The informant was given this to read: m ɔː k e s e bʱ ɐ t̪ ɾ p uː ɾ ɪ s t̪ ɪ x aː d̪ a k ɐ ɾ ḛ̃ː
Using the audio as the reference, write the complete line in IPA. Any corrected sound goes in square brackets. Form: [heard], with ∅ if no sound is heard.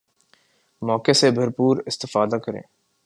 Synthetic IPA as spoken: m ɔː k e s e bʱ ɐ [∅] ɾ p uː ɾ ɪ s t̪ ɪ [f] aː d̪ a k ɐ ɾ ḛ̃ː